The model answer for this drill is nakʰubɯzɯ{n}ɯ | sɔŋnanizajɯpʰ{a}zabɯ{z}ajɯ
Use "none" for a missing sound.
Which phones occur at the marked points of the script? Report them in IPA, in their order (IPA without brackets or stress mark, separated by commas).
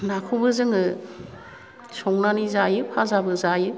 ŋ, a, z